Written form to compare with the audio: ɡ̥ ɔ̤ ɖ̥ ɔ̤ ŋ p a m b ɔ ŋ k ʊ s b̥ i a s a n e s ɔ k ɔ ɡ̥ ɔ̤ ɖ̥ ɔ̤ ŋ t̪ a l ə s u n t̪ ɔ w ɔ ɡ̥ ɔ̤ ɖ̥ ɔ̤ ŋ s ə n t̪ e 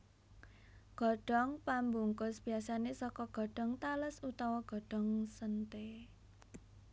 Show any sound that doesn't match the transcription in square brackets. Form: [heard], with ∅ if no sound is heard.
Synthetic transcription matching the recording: ɡ̥ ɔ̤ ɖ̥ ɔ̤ ŋ p a m b [u] ŋ k ʊ s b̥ i a s a n e s ɔ k ɔ ɡ̥ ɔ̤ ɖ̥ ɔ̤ ŋ t̪ a l ə s u [∅] t̪ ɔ w ɔ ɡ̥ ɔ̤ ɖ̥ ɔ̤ ŋ s ə n t̪ e